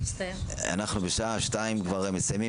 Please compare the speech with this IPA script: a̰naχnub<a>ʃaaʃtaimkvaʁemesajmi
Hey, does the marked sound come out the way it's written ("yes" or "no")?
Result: no